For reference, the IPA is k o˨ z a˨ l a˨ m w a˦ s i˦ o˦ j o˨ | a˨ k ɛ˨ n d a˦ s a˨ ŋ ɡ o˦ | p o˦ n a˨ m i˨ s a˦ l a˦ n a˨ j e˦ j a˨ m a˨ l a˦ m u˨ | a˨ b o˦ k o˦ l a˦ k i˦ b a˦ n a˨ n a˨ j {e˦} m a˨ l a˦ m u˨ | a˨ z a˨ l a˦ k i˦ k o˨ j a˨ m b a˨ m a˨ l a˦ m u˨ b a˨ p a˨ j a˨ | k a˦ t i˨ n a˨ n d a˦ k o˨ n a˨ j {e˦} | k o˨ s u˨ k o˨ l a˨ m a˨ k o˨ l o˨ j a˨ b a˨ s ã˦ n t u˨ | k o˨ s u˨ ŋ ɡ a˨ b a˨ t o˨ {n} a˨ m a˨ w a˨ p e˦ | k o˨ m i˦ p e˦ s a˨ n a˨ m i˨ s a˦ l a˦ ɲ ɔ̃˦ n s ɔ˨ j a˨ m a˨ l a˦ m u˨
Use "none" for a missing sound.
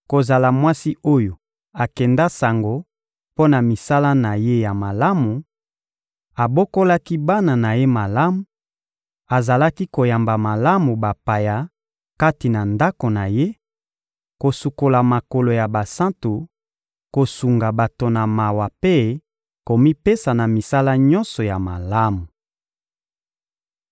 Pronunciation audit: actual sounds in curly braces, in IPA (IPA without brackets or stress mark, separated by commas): e˦, e˦, n